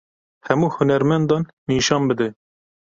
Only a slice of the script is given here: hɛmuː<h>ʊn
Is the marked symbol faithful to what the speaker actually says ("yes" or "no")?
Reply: yes